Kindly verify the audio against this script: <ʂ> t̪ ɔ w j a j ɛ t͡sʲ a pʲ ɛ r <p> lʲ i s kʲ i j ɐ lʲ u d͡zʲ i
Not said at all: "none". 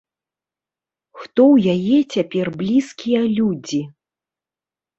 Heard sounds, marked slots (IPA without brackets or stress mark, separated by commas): x, b